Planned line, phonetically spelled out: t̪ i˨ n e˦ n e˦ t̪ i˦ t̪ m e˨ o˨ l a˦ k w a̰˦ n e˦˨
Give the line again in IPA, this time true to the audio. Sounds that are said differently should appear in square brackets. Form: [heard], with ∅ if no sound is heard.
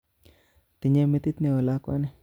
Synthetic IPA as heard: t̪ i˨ [ɲ] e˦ [m] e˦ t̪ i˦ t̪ [n] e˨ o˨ l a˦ k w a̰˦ n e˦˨